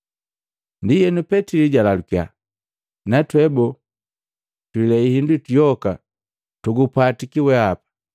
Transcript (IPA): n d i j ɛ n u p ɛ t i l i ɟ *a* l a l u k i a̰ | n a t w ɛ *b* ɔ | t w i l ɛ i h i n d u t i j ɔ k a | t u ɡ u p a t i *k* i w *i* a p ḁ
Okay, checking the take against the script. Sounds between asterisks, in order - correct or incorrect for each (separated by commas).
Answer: correct, correct, correct, incorrect